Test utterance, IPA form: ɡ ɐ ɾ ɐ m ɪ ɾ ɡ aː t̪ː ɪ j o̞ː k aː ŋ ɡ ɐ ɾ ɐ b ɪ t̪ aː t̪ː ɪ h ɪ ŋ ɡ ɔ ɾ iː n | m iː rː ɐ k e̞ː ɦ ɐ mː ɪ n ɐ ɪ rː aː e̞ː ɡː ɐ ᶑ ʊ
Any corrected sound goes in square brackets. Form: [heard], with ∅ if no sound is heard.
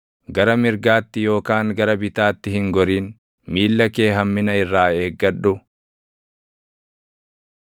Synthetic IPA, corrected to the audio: ɡ ɐ ɾ ɐ m ɪ ɾ ɡ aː t̪ː ɪ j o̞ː k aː ŋ ɡ ɐ ɾ ɐ b ɪ t̪ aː t̪ː ɪ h ɪ ŋ ɡ ɔ ɾ iː n | m iː [lː] ɐ k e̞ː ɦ ɐ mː ɪ n ɐ ɪ rː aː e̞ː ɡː ɐ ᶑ ʊ